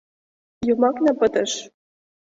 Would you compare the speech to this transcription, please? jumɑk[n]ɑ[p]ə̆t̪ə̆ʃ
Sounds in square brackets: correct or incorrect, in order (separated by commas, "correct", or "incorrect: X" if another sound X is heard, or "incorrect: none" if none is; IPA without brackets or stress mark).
correct, correct